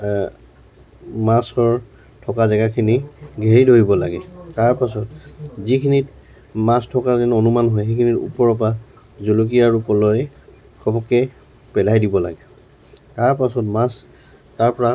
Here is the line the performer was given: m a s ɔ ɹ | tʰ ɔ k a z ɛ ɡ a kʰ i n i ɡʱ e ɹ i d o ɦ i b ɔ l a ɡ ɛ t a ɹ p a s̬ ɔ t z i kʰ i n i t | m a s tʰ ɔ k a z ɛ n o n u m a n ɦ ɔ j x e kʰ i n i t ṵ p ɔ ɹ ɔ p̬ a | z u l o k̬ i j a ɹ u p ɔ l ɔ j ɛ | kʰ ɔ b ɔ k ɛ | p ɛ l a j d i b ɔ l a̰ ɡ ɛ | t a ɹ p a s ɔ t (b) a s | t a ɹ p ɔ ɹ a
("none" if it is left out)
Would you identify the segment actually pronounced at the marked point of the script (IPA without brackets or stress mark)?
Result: m